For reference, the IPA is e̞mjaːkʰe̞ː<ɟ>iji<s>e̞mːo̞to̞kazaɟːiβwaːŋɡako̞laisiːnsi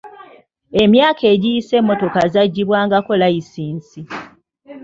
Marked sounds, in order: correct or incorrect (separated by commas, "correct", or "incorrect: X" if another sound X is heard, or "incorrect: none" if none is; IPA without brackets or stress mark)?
correct, correct